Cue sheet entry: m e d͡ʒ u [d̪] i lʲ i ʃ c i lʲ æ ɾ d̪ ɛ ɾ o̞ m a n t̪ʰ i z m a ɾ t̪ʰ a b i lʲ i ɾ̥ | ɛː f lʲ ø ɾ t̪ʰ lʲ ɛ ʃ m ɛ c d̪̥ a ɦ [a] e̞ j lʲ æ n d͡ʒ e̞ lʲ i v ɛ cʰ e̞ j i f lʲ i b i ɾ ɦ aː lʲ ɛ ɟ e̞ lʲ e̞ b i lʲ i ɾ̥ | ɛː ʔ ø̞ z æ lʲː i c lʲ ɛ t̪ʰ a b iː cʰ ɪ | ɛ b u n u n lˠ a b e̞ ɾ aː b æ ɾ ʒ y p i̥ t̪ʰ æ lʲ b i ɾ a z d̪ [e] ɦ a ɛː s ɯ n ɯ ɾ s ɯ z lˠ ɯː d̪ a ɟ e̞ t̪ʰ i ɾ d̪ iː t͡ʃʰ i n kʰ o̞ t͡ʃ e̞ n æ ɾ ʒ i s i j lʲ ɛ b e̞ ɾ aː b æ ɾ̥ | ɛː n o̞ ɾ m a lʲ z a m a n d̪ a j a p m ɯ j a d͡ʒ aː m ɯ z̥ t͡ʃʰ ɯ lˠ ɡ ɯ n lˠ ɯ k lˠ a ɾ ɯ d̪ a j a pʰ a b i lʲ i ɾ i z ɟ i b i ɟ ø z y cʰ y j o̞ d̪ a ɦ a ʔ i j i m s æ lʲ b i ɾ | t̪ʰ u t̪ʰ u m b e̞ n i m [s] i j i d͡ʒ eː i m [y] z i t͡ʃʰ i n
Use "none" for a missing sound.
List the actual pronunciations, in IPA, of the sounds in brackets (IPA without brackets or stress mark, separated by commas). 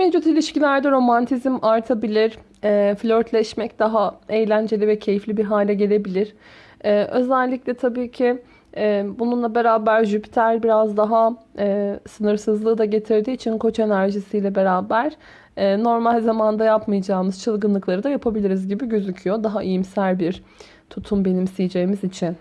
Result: t̪, a, a, s, i